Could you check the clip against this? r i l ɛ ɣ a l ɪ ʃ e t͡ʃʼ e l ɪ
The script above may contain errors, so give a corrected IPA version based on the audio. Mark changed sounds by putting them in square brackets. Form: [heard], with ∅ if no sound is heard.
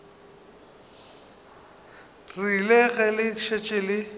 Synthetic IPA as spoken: r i l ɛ ɣ [ɛ] l ɪ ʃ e t͡ʃʼ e l ɪ